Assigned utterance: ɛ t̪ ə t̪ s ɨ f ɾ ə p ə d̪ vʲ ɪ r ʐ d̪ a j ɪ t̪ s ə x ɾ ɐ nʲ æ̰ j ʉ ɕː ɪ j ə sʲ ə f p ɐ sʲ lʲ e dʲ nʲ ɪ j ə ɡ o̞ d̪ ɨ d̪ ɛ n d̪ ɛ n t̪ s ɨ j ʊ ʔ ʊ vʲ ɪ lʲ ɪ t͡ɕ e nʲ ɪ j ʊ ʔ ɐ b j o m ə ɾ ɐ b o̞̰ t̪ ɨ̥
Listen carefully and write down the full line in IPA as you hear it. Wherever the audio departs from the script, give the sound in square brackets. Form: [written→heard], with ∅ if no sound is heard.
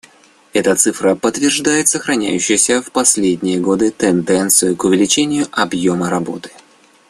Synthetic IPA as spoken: ɛ t̪ ə t̪ s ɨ f ɾ ə p ə [d̪→t̪] vʲ ɪ r ʐ d̪ a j ɪ t̪ s ə x ɾ ɐ nʲ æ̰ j ʉ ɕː ɪ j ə sʲ ə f p ɐ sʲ lʲ e dʲ nʲ ɪ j ə ɡ o̞ d̪ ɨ [d̪→t̪] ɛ n d̪ ɛ n t̪ s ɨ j ʊ [ʔ→k] ʊ vʲ ɪ lʲ ɪ t͡ɕ e nʲ ɪ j ʊ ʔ ɐ b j o m ə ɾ ɐ b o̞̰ t̪ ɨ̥